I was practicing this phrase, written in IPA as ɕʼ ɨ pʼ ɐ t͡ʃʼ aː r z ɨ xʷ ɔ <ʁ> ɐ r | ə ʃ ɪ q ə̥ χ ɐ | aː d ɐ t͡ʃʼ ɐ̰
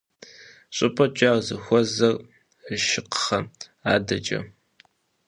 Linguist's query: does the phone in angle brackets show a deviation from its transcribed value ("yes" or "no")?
yes